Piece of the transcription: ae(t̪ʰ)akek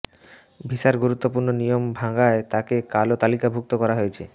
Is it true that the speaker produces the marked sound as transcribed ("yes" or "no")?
no